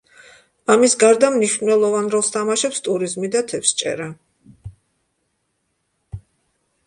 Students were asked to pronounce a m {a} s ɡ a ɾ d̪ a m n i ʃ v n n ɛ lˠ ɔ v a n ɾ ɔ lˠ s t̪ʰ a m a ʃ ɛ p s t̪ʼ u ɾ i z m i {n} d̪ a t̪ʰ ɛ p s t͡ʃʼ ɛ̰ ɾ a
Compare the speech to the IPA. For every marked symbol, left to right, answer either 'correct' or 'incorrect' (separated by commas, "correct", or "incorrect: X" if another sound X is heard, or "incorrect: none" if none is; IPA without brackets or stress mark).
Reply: incorrect: i, incorrect: none